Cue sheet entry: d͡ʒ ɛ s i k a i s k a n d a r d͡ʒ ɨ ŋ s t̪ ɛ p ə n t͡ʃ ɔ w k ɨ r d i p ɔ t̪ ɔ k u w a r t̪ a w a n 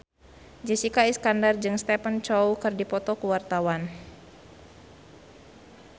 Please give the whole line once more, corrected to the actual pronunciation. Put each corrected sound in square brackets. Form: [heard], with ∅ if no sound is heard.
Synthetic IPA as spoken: d͡ʒ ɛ s i k a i s k a n d a r d͡ʒ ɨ ŋ s t̪ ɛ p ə n t͡ʃ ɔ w k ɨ r d i p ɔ t̪ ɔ k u w a r t̪ a w a n